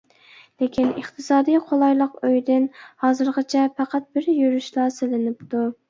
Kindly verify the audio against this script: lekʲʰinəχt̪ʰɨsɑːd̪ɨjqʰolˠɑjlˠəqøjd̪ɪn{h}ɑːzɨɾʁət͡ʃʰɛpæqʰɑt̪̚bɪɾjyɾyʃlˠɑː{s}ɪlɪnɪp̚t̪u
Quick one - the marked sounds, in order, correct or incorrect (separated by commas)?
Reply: correct, correct